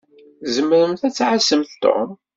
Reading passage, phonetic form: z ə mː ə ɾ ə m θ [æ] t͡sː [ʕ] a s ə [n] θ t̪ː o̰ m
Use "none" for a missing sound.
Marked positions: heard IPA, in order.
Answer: æ, ʕ, m

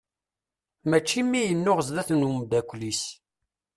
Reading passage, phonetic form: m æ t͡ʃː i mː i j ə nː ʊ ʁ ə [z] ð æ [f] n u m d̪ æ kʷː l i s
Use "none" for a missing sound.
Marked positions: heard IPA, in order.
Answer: z, θ

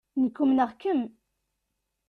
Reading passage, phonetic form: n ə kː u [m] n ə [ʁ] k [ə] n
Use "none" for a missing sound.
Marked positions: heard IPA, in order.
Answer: m, ʁ, ə

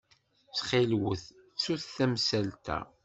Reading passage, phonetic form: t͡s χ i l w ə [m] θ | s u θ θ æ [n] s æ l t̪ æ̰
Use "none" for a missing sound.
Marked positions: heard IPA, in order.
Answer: none, m

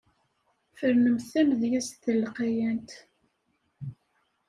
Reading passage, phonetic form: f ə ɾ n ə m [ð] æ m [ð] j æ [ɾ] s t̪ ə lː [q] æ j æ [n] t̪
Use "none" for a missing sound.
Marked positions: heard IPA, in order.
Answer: θ, ð, none, q, n

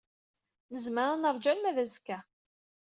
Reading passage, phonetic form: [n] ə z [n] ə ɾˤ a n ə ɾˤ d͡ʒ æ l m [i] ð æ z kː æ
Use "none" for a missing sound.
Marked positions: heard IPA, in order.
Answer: n, m, æ

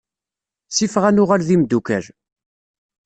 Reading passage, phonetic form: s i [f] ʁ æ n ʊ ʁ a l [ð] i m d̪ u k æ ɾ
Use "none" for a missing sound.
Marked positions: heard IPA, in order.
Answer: f, ð

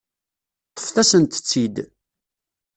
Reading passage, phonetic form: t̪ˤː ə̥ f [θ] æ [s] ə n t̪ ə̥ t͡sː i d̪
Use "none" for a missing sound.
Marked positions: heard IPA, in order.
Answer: θ, s

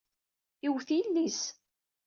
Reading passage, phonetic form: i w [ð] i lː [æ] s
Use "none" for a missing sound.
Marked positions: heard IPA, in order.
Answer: θ, i

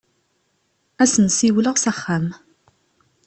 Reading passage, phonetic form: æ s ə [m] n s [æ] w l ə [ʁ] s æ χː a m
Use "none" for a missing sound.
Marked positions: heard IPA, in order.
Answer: none, i, ʁ

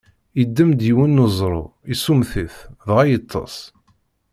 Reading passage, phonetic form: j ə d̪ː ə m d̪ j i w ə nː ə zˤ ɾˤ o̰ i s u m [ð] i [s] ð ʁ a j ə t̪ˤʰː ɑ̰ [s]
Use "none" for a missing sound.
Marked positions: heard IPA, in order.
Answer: θ, θ, s

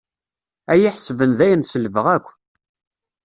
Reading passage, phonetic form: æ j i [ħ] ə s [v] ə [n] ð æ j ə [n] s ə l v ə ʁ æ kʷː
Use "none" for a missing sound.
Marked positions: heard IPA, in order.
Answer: ħ, v, n, n

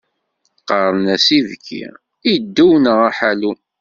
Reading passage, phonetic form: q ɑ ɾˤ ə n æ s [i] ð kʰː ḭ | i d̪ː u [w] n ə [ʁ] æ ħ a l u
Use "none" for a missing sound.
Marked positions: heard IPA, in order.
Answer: i, w, ʁ

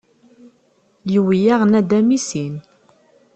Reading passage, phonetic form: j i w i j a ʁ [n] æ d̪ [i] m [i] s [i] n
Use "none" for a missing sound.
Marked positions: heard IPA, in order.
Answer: n, æ, i, i

